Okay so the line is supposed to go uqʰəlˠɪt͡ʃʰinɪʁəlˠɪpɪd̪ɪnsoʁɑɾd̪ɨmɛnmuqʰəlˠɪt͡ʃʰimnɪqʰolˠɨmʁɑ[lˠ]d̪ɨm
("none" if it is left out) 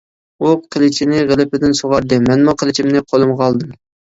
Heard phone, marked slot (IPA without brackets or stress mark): lˠ